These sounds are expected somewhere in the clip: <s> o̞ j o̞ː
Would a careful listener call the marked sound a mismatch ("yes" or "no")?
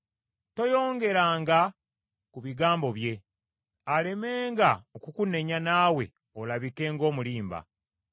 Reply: yes